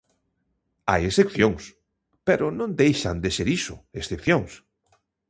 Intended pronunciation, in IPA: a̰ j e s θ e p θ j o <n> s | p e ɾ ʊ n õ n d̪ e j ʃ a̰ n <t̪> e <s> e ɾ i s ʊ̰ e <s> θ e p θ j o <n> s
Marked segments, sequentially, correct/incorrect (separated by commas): incorrect, incorrect, correct, correct, incorrect